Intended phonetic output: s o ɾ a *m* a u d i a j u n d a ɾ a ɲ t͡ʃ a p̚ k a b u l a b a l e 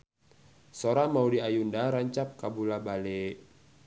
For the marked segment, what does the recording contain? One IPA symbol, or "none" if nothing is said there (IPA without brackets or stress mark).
m